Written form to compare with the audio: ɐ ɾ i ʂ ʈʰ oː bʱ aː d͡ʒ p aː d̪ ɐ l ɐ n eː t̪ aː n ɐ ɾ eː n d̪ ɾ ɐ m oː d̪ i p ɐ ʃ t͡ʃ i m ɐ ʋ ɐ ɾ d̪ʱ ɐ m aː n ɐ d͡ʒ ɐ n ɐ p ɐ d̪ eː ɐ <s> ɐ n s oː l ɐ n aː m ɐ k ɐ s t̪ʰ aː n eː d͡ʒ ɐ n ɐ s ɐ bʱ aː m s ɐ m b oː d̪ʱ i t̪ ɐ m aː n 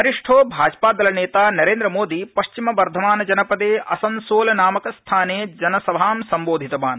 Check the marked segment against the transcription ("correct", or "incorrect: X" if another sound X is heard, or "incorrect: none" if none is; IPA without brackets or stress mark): correct